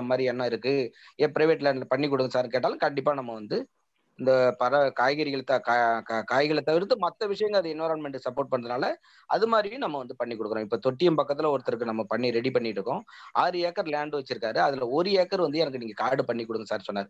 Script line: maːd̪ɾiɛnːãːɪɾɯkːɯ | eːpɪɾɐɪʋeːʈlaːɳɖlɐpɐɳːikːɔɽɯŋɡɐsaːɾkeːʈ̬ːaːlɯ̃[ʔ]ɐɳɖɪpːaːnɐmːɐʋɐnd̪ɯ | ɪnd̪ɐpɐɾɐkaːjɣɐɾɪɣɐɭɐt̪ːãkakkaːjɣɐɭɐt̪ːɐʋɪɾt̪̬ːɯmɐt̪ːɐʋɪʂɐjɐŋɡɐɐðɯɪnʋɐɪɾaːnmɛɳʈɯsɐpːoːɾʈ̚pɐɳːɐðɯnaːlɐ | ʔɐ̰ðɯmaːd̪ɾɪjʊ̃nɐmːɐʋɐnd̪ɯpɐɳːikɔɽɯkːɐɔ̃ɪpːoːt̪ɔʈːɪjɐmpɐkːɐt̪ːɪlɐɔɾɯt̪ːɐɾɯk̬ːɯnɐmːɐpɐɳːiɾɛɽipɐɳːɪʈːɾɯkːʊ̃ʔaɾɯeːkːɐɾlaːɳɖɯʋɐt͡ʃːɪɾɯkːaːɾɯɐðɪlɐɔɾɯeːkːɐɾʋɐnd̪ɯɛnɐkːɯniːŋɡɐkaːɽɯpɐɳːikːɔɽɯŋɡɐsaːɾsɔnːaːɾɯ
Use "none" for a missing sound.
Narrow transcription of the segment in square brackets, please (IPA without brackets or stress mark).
k